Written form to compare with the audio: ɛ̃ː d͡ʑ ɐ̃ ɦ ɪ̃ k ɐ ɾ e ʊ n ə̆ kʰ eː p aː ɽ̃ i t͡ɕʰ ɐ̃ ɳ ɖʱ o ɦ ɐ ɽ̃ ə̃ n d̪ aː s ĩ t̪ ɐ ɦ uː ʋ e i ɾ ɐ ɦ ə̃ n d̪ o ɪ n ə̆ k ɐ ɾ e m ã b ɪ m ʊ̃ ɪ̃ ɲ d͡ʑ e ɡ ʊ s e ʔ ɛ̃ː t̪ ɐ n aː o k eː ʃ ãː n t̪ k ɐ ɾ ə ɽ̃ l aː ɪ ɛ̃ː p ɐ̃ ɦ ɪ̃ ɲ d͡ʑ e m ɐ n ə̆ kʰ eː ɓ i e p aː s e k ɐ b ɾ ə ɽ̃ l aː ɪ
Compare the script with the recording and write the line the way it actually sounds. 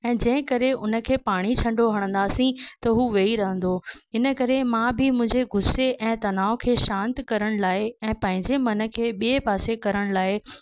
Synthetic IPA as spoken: ɛ̃ː d͡ʑ ɐ̃ ɦ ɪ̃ k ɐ ɾ e ʊ n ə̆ kʰ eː p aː ɽ̃ i t͡ɕʰ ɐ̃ ɳ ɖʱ o ɦ ɐ ɽ̃ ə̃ n d̪ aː s ĩ t̪ ɐ ɦ uː ʋ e i ɾ ɐ ɦ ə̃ n d̪ o ɪ n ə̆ k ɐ ɾ e m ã b ɪ m ʊ̃ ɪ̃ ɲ d͡ʑ e ɡ ʊ s e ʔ ɛ̃ː t̪ ɐ n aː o kʰ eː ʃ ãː n t̪ k ɐ ɾ ə ɽ̃ l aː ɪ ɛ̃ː p ɐ̃ ɦ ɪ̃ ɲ d͡ʑ e m ɐ n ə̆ kʰ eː ɓ i e p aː s e k ɐ ɾ ə ɽ̃ l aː ɪ